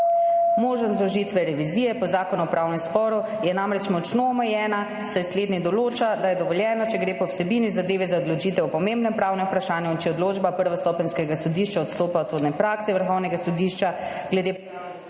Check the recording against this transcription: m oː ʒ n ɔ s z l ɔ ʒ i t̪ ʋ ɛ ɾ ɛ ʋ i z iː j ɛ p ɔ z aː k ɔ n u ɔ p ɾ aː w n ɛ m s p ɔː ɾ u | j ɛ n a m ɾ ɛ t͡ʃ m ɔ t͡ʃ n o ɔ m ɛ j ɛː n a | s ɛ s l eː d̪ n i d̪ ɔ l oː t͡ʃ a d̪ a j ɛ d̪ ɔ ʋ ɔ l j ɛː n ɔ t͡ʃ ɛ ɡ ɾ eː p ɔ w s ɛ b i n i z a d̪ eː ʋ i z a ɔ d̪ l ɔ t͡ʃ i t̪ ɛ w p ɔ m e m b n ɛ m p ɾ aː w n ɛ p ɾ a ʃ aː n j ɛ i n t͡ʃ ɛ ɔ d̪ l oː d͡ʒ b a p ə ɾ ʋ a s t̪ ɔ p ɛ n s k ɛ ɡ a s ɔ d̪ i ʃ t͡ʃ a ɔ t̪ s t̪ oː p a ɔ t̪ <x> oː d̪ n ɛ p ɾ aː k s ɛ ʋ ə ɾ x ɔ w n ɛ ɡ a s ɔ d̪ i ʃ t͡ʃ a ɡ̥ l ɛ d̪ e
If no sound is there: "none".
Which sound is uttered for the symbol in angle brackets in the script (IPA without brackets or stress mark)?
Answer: s